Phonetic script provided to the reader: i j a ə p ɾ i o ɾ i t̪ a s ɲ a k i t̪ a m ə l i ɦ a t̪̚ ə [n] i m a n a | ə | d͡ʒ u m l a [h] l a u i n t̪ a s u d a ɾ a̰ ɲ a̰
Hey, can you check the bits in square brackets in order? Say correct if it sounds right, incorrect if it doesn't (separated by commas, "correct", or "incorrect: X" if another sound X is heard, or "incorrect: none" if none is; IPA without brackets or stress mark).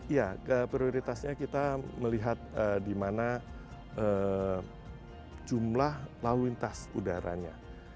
incorrect: d, correct